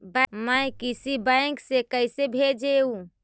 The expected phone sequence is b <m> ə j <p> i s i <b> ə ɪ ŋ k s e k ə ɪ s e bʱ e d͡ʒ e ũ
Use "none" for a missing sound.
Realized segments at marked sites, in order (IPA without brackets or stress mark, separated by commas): m, k, b